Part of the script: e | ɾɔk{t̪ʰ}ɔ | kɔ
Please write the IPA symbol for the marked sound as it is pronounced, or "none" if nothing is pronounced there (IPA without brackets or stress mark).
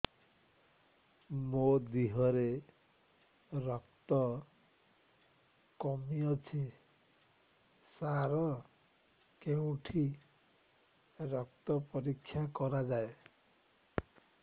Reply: t̪